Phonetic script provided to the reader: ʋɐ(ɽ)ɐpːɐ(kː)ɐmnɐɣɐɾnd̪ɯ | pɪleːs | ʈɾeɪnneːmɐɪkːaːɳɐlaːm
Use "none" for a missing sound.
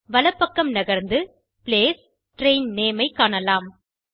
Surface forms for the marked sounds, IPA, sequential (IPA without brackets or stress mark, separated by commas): l, kː